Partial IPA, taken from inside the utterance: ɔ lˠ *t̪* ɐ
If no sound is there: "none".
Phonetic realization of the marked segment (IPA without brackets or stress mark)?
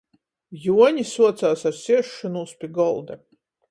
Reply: d̪